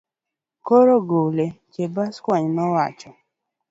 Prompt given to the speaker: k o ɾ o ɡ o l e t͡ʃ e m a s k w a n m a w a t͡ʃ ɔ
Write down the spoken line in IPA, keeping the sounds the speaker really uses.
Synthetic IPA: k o ɾ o ɡ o l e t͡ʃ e b a s k w a ɲ m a w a t͡ʃ ɔ